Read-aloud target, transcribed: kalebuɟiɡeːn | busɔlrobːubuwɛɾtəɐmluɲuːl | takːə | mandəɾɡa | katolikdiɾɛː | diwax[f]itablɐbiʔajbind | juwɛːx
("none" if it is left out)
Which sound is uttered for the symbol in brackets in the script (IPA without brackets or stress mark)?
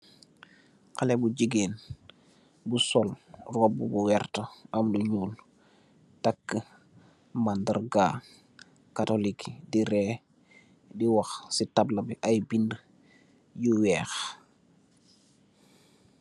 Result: s